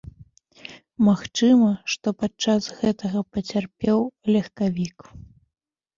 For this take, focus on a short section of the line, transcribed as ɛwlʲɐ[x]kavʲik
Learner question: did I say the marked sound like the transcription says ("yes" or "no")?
yes